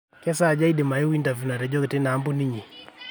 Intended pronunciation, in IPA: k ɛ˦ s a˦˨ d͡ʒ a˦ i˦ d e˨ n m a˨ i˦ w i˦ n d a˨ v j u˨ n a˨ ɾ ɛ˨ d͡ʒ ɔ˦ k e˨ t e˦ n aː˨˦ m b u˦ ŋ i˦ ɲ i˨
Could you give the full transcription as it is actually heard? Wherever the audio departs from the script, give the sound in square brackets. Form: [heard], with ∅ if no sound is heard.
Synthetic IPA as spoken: k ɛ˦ s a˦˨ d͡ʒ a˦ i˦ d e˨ [∅] m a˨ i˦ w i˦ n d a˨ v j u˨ n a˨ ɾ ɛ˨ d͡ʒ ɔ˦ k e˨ t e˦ n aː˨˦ m b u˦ [n] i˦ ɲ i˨